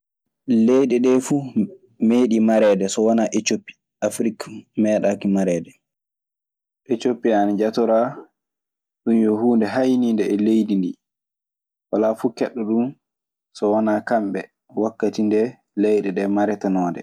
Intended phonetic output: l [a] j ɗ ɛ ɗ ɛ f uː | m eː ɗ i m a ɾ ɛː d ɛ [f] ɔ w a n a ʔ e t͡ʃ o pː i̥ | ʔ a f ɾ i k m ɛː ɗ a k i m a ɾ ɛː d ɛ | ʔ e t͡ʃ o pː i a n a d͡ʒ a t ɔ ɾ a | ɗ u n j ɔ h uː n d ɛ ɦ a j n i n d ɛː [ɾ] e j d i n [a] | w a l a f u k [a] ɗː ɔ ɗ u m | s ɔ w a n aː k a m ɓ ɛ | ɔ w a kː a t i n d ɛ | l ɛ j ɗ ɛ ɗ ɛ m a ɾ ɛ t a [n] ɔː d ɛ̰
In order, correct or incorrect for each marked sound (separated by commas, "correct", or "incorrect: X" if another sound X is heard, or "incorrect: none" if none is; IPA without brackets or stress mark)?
incorrect: e, incorrect: s, incorrect: l, incorrect: i, incorrect: ɛ, correct